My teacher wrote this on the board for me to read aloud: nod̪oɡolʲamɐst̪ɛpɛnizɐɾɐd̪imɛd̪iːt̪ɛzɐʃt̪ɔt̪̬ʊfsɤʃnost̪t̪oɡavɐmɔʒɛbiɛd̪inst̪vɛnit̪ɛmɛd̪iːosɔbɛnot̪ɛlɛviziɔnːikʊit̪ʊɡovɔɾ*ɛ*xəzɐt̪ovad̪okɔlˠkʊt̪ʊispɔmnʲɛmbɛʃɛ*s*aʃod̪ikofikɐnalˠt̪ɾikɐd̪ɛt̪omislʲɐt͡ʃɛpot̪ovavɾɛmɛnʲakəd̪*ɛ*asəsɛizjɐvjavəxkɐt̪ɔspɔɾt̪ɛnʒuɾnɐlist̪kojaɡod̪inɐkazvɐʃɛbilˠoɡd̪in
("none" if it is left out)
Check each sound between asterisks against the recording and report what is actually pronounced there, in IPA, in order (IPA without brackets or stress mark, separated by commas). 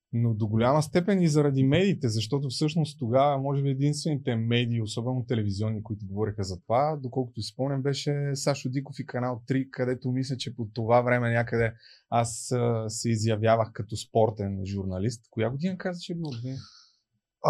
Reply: i, s, ɛ